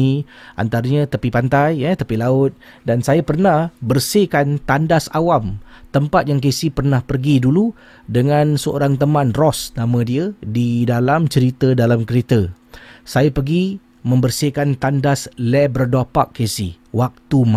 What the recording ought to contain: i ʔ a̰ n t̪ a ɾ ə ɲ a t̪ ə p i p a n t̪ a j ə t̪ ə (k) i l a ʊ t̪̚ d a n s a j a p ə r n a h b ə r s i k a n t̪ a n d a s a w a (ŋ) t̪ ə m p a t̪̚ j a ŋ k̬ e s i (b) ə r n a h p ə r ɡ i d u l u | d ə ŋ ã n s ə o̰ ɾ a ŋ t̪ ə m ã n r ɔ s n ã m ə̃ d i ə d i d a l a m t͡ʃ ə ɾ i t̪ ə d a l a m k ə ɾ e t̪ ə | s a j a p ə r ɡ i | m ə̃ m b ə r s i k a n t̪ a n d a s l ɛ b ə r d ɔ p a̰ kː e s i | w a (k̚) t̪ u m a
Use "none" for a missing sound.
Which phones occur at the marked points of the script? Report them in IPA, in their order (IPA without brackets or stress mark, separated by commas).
p, m, p, k̚